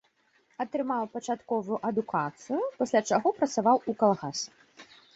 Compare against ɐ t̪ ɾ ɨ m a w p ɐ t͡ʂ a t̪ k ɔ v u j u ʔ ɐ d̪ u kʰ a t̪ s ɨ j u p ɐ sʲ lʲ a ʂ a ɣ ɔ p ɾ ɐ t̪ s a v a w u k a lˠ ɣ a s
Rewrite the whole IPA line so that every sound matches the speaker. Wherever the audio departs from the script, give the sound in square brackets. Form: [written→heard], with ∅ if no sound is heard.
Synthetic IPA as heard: ɐ t̪ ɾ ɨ m a w p ɐ t͡ʂ a t̪ k ɔ v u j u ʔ ɐ d̪ u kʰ a t̪ s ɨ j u p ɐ sʲ lʲ a [ʂ→t͡ʂ] a ɣ ɔ p ɾ ɐ t̪ s a v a w u k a lˠ ɣ a s